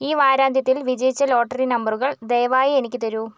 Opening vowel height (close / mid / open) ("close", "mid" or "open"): close